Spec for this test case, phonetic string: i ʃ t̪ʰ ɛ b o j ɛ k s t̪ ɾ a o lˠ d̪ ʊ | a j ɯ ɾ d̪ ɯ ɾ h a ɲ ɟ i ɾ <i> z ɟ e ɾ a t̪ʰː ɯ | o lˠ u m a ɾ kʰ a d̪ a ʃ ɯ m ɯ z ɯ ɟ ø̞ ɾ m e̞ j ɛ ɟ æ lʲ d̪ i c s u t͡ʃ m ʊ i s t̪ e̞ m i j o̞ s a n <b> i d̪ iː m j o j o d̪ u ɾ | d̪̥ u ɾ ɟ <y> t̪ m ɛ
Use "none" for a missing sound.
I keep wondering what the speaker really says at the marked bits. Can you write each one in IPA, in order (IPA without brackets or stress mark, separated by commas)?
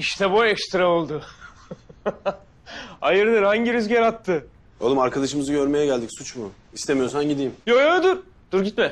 y, ɟ, i